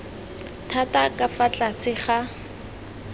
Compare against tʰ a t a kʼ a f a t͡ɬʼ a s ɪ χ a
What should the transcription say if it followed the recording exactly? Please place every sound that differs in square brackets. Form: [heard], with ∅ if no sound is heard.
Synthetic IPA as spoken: tʰ a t a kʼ a f a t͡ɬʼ a s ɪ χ a